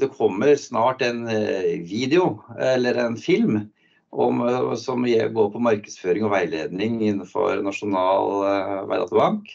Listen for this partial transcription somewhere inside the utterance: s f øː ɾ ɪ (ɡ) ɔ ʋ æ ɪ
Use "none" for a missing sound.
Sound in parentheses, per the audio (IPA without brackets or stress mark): ŋ